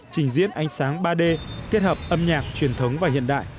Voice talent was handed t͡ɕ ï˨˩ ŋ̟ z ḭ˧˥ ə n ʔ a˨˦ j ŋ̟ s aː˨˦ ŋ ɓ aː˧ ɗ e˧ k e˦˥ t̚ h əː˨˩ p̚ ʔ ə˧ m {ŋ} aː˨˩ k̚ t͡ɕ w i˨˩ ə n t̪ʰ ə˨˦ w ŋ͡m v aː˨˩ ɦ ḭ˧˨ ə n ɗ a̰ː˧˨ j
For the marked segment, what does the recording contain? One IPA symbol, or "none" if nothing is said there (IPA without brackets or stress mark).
ɲ